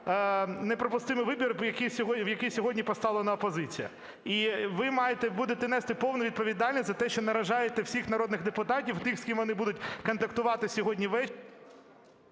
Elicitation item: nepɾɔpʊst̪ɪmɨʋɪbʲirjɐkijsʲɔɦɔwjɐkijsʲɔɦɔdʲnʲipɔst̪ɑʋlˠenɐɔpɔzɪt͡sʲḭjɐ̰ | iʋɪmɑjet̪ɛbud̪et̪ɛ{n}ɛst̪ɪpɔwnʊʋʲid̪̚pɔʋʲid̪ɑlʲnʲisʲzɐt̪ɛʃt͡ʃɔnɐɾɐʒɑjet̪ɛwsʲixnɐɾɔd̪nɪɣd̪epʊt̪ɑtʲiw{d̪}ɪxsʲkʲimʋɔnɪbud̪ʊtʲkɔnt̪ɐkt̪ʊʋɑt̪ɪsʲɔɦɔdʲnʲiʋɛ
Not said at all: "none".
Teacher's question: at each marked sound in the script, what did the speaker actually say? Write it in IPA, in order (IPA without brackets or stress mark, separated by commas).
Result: n, t̪